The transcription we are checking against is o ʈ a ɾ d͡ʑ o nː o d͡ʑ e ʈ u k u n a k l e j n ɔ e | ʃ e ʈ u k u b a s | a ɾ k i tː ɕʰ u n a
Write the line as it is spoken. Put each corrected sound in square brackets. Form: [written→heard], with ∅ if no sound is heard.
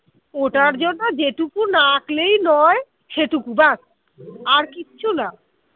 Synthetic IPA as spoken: o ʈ a ɾ d͡ʑ o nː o d͡ʑ e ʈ u k u n a k l e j n ɔ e | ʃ e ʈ u k u b a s | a ɾ k i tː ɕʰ u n a